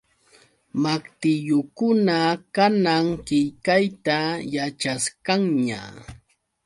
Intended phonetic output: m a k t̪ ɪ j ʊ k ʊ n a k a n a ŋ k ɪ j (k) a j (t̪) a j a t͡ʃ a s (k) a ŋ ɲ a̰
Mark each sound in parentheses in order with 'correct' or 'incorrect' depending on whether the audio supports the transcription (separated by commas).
correct, correct, correct